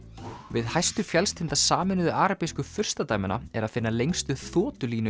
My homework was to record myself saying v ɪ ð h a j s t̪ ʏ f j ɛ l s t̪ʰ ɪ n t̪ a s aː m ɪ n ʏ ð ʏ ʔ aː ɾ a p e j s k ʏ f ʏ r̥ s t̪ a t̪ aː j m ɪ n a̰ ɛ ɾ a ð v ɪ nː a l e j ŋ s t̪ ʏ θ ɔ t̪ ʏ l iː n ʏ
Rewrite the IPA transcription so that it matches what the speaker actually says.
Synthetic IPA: v ɪ ð h a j s t̪ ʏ f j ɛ l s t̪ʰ ɪ n t̪ a s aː m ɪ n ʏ ð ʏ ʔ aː ɾ a p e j s k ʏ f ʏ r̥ s t̪ a t̪ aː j m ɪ n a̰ ɛ ɾ a ð f ɪ nː a l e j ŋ s t̪ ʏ θ ɔː t̪ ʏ l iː n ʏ